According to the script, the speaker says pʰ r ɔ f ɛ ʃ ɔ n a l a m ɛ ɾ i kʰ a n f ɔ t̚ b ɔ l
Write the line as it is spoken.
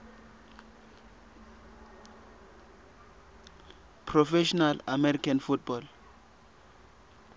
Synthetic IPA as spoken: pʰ r ɔ f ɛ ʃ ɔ n a l a m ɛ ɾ i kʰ a n f u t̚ b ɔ l